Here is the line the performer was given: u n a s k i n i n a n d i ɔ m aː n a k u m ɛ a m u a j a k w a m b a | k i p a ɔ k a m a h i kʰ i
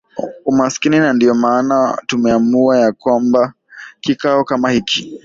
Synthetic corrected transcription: u m a s k i n i n a n d i ɔ m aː n a t u m ɛ a m u a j a k w a m b a | k i k a ɔ k a m a h i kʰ i